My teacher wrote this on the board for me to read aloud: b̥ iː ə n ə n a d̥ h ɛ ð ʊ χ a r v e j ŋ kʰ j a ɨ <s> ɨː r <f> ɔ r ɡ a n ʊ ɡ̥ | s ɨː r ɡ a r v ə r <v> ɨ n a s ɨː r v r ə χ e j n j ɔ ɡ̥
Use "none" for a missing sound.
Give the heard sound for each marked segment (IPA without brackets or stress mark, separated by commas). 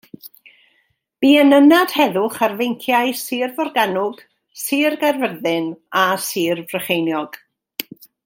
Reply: s, v, ð